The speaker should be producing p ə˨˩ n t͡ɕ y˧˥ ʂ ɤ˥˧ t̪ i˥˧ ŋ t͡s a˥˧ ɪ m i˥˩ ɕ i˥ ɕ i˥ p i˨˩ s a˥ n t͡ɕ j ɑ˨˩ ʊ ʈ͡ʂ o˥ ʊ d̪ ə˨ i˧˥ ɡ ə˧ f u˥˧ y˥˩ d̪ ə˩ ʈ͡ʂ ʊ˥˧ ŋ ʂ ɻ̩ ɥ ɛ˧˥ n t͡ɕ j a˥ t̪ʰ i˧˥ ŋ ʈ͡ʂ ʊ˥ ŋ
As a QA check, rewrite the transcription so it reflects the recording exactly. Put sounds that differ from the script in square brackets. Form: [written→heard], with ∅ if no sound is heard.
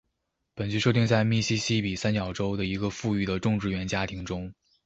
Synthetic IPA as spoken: p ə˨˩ n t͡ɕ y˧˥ ʂ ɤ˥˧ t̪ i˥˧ ŋ t͡s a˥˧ ɪ m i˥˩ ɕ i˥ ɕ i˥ p i˨˩ s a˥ n t͡ɕ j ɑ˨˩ ʊ ʈ͡ʂ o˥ ʊ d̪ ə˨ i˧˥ ɡ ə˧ f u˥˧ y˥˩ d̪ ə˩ ʈ͡ʂ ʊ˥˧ ŋ [ʂ→ʈ͡ʂ] ɻ̩ ɥ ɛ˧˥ n t͡ɕ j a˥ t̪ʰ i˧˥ ŋ ʈ͡ʂ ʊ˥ ŋ